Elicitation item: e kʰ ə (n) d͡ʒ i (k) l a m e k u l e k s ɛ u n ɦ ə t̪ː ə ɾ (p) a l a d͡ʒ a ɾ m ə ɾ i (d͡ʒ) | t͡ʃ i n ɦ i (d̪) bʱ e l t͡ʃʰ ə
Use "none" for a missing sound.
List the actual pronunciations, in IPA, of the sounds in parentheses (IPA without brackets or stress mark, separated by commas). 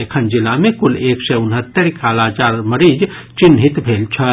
n, none, k, d͡ʒ, t̪